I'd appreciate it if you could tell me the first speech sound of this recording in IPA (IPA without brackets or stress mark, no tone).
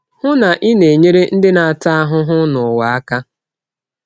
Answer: h